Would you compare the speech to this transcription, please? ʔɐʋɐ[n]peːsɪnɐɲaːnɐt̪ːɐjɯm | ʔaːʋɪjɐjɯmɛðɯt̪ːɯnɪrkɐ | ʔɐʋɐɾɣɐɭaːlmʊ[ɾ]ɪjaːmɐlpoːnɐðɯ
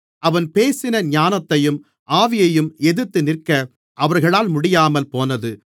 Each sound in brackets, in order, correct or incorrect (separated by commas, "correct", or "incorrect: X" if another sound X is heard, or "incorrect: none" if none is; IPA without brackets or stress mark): correct, incorrect: ɽ